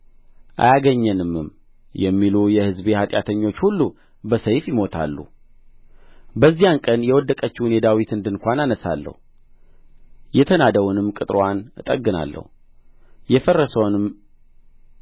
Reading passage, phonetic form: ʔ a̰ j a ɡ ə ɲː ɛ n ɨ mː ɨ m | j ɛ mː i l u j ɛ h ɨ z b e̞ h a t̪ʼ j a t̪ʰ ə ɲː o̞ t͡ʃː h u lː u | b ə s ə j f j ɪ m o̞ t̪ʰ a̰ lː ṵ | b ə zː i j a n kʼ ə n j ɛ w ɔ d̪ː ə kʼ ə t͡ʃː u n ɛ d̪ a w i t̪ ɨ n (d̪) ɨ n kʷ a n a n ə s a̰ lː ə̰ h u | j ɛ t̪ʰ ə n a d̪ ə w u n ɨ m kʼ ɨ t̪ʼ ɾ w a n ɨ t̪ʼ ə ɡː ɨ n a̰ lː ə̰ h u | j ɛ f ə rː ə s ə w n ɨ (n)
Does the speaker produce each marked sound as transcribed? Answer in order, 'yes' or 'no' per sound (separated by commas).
yes, no